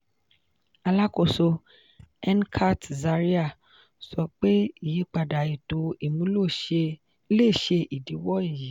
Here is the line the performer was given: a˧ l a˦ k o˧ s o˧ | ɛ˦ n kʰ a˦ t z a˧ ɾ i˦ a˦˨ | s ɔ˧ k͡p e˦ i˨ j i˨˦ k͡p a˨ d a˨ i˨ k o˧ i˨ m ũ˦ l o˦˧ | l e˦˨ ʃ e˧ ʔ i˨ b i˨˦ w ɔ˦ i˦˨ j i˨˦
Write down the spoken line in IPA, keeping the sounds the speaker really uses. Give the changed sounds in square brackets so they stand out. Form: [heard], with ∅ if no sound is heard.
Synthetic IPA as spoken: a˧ l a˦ k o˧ s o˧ | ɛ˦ n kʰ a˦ t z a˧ ɾ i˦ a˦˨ | s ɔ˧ k͡p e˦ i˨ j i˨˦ k͡p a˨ d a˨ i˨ [t] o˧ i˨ m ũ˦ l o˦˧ | l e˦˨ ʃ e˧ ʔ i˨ [d] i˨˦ w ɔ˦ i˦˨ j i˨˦

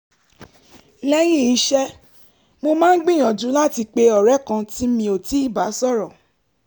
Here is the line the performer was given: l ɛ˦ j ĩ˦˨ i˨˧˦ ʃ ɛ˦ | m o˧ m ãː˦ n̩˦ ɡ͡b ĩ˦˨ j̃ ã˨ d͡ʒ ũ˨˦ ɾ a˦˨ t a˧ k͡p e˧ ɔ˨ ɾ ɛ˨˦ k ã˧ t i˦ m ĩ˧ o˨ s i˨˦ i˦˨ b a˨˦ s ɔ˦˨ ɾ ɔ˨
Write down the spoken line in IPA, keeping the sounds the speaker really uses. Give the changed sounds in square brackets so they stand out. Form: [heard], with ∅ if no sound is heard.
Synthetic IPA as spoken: l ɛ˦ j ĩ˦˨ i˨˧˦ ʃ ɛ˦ | m o˧ m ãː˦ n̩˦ ɡ͡b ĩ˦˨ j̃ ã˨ d͡ʒ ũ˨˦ [l] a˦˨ t [i˧] k͡p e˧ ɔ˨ ɾ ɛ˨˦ k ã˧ t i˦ m ĩ˧ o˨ [t] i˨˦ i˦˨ b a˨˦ s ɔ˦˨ ɾ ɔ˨

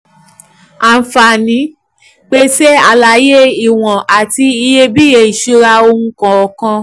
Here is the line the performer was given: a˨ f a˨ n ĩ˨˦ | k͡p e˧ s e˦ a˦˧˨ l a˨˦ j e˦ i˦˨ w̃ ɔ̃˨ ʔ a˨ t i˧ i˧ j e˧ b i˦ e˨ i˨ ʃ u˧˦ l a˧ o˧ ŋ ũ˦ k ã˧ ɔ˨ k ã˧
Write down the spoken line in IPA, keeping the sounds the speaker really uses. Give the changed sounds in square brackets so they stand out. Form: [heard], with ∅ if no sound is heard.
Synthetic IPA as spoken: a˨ f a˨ n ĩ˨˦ | k͡p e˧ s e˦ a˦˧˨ l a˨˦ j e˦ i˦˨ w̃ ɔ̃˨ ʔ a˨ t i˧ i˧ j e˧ b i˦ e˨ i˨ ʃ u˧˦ [ɾ] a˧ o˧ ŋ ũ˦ k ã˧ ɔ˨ k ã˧

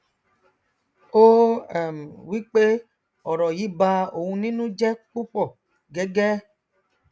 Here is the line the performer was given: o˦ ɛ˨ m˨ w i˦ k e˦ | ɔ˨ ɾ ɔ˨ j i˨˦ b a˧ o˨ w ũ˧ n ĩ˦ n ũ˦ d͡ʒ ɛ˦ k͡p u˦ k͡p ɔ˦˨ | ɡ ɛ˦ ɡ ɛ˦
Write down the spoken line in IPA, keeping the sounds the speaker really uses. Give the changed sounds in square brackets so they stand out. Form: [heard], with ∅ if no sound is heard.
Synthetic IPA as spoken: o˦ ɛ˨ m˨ w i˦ [k͡p] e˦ | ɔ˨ ɾ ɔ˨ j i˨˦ b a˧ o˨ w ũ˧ n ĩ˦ n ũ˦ d͡ʒ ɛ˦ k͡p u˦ k͡p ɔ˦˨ | ɡ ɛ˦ ɡ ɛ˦

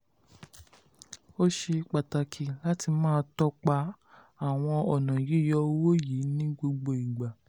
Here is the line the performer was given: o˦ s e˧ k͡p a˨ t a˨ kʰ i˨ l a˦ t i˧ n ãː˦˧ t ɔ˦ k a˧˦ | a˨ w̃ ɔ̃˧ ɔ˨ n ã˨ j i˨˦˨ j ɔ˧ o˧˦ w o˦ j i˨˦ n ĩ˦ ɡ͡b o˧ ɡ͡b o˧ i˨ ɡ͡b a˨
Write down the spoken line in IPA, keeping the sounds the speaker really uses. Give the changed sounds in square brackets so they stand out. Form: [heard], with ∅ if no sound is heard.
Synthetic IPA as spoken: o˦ [ʃ] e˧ k͡p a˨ t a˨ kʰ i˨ l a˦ t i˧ [m] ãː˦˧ t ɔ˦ [k͡p] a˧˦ | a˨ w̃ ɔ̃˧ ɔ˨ n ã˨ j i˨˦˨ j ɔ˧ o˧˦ w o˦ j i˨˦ n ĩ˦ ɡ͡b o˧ ɡ͡b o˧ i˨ ɡ͡b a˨

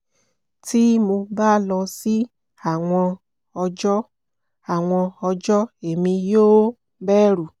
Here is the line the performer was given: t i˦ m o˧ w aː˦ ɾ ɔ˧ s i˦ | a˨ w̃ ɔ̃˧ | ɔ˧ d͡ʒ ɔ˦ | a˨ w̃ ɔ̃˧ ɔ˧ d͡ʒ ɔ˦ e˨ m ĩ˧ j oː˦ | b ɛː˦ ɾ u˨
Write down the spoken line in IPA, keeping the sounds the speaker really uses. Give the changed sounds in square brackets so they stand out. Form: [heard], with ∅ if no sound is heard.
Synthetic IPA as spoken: t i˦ m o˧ [b] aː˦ [l] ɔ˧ s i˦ | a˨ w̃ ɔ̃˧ | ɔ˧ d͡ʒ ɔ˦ | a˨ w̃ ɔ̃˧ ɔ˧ d͡ʒ ɔ˦ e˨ m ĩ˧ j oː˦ | b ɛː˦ ɾ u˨

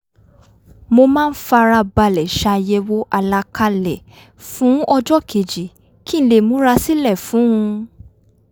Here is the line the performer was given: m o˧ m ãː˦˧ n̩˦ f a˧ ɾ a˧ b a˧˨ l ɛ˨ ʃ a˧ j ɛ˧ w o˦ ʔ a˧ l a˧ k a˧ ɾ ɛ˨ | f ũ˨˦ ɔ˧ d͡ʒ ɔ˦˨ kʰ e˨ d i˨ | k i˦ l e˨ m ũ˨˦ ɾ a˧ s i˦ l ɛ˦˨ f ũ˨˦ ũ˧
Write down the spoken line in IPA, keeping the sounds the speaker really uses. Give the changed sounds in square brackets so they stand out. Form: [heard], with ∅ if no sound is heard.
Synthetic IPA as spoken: m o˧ m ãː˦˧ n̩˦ f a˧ ɾ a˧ b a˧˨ l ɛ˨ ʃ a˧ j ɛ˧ w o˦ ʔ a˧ l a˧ k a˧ [l] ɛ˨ | f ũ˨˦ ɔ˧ d͡ʒ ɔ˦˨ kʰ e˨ [d͡ʒ] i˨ | k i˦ l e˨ m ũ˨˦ ɾ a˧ s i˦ l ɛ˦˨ f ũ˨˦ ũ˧

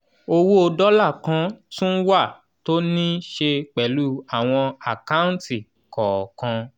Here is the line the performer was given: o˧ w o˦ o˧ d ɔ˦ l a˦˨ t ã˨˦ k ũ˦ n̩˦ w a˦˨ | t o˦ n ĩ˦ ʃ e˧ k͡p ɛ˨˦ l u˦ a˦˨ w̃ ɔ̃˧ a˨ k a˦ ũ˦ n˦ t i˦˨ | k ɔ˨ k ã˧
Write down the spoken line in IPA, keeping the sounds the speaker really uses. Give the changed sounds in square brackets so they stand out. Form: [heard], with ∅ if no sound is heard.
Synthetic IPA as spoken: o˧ w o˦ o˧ d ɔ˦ l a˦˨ [k] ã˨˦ [t] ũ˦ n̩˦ w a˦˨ | t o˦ n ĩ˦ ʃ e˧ k͡p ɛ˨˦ l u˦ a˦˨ w̃ ɔ̃˧ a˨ k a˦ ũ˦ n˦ t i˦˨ | k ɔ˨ k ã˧

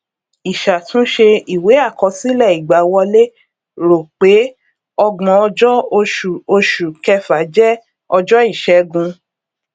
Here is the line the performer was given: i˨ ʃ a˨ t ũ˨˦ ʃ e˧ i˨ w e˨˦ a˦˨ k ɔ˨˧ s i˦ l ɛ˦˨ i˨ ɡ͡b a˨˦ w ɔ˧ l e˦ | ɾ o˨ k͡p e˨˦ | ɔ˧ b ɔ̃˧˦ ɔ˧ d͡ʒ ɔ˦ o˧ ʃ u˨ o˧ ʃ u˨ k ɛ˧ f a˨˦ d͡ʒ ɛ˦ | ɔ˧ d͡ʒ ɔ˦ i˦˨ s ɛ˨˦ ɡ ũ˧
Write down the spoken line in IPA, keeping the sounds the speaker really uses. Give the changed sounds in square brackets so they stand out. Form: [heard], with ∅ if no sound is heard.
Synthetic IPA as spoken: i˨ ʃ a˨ t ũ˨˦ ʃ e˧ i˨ w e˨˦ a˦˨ k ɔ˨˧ s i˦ l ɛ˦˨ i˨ ɡ͡b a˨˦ w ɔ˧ l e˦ | ɾ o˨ k͡p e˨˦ | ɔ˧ [ɡ͡b] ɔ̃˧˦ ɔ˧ d͡ʒ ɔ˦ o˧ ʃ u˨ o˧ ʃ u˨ k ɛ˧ f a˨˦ d͡ʒ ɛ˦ | ɔ˧ d͡ʒ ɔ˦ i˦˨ [ʃ] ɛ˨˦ ɡ ũ˧

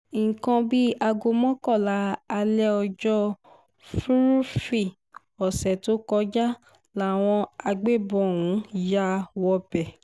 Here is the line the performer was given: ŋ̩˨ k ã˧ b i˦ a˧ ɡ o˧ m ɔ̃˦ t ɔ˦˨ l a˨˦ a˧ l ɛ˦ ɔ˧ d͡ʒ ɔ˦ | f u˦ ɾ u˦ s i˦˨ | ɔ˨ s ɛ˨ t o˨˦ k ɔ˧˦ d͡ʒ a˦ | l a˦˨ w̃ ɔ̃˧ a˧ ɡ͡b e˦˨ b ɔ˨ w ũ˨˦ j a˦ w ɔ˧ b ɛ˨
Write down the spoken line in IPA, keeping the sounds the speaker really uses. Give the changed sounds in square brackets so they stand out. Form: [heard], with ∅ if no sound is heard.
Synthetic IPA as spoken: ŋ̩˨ k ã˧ b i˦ a˧ ɡ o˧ m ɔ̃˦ [k] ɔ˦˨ l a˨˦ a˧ l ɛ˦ ɔ˧ d͡ʒ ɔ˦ | f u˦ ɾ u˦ [f] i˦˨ | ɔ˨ s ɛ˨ t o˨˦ k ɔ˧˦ d͡ʒ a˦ | l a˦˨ w̃ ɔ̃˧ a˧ ɡ͡b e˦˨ b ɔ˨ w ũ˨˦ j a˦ w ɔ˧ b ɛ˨

